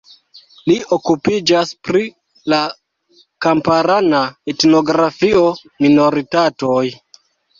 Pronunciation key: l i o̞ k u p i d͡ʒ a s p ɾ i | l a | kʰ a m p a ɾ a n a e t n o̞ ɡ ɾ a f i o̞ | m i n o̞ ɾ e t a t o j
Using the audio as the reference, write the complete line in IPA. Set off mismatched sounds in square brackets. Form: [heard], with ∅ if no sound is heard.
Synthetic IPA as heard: l i o̞ k u p i d͡ʒ a s p ɾ i | l a | [k] a m p a ɾ a n a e t n o̞ ɡ ɾ a f i o̞ | m i n o̞ ɾ [i] t a t o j